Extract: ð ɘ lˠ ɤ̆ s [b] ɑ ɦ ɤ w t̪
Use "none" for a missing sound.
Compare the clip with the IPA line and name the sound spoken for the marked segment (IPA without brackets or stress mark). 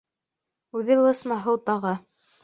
m